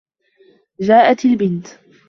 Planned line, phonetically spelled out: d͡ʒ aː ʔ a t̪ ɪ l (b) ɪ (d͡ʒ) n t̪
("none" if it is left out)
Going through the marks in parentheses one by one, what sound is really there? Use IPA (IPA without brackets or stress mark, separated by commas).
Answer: b, none